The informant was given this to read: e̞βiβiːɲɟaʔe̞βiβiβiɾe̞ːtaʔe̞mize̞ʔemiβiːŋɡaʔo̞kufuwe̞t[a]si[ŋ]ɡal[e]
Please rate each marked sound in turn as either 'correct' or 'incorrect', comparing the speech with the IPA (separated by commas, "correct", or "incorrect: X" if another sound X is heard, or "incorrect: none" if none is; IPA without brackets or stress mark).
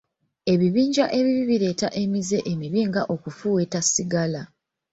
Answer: correct, incorrect: none, incorrect: a